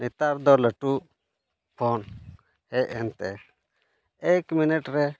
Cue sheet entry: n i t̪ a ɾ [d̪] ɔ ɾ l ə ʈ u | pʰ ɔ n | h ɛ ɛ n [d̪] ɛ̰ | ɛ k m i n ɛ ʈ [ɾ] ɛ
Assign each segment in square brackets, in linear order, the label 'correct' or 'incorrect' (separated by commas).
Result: correct, incorrect, correct